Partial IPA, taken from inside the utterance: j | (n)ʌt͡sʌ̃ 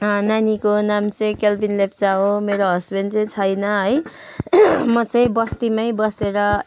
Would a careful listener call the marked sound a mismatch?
yes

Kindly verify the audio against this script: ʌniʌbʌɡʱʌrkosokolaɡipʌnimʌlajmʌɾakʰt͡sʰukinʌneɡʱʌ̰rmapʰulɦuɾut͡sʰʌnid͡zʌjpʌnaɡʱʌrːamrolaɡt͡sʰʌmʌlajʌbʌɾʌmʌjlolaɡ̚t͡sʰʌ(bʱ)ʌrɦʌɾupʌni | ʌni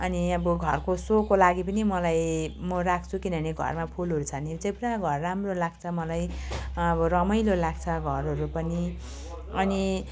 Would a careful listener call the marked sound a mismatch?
yes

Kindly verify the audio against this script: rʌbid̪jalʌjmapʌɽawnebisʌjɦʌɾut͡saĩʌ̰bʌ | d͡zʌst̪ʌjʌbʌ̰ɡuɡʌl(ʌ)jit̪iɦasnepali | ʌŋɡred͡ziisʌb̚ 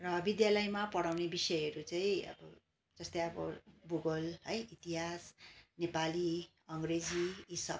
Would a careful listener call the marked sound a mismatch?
no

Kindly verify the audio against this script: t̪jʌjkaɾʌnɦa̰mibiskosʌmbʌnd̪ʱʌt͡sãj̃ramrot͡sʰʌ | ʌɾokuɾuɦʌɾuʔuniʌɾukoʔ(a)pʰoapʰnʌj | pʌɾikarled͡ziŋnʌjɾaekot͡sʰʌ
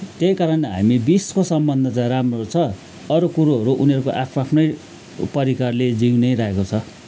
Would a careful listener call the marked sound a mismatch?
no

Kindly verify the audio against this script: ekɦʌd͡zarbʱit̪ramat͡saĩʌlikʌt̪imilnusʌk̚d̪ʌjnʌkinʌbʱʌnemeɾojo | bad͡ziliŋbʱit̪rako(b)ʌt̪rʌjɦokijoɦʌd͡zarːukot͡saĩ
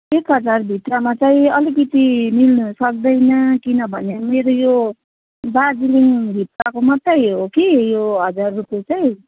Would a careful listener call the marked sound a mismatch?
yes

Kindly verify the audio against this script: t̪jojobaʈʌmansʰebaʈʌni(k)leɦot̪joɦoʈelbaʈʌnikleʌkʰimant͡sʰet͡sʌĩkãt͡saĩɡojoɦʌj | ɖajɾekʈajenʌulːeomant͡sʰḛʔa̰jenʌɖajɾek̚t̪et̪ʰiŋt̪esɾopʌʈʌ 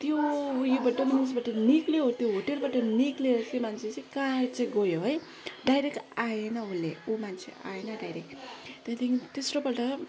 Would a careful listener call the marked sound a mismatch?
no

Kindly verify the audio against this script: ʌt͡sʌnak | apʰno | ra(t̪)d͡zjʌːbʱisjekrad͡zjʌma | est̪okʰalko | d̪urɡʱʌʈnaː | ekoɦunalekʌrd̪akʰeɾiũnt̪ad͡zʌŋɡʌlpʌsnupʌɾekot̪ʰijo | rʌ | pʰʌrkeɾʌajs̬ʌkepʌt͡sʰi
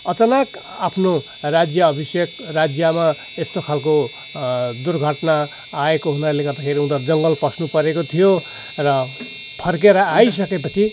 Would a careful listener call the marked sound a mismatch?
yes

